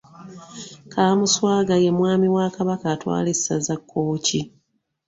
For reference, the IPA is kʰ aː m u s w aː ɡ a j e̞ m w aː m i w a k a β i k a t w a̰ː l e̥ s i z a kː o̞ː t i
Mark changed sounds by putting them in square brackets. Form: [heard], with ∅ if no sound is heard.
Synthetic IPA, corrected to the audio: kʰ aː m u s w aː ɡ a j e̞ m w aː m i w a k a β [a] k a t w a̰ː l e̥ s [a] z a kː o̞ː [c] i